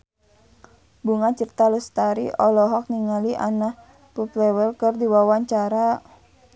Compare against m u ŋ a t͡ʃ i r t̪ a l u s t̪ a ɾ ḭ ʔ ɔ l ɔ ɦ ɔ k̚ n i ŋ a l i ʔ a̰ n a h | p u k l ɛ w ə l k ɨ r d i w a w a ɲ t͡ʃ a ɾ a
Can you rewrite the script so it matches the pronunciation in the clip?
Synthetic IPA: b u ŋ a t͡ʃ i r t̪ a l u s t̪ a ɾ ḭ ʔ ɔ l ɔ ɦ ɔ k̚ n i ŋ a l i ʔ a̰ n a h | p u p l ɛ w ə l k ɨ r d i w a w a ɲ t͡ʃ a ɾ a